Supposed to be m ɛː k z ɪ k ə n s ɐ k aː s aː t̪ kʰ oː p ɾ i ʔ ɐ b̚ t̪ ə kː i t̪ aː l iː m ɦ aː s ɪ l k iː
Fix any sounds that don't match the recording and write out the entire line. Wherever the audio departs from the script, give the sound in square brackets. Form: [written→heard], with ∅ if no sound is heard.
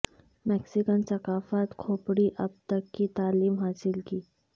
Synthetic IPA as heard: m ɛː k [z→s] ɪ k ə n s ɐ k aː [s→f] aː t̪ kʰ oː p [ɾ→ɽ] i ʔ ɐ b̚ t̪ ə kː i t̪ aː l iː m ɦ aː s ɪ l k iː